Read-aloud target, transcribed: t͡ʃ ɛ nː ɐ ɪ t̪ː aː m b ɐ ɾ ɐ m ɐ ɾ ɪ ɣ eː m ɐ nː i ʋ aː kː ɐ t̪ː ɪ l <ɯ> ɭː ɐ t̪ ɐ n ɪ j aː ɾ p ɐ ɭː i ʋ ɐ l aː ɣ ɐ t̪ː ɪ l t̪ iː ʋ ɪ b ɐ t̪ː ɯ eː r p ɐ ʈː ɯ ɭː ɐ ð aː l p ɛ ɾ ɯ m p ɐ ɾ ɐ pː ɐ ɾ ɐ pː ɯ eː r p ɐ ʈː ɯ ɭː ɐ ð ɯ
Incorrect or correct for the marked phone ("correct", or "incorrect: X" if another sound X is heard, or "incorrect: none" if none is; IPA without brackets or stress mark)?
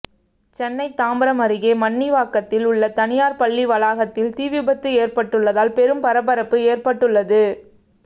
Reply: incorrect: ʊ